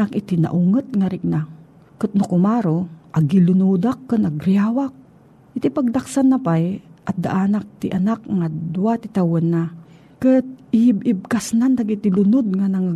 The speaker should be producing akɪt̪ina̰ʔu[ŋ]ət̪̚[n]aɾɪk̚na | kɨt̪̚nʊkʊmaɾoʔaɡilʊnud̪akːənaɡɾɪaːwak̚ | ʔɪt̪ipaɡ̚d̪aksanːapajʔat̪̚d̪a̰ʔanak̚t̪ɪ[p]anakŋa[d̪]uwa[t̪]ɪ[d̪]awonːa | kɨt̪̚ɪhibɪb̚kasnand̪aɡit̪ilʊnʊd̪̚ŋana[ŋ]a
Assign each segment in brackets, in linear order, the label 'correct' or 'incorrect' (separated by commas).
correct, incorrect, incorrect, correct, correct, incorrect, correct